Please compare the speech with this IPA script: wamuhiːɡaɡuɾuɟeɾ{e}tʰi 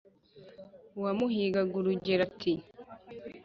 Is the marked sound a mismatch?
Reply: yes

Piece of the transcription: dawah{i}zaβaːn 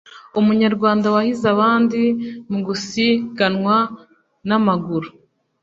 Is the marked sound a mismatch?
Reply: no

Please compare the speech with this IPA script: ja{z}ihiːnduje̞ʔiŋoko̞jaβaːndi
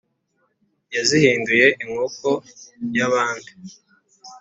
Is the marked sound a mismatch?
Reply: no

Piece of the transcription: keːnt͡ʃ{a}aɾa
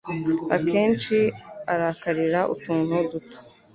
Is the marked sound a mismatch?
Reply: yes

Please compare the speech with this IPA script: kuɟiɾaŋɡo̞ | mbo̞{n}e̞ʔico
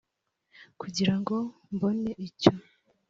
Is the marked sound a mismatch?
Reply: no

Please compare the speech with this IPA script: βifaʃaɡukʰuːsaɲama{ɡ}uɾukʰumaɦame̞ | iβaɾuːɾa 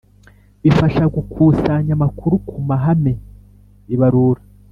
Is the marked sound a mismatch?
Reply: yes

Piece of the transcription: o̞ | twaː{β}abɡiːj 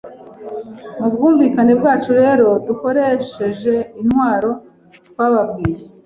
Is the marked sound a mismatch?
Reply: no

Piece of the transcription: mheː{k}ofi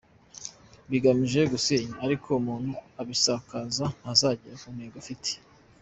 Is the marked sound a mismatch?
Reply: yes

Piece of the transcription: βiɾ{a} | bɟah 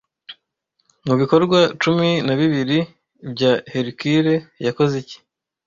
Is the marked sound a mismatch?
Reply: yes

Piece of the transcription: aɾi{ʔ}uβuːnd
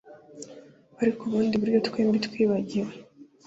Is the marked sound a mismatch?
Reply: yes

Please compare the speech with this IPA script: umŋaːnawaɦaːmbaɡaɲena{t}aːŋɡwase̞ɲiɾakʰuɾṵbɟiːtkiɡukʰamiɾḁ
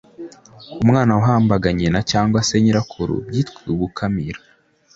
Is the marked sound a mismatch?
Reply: yes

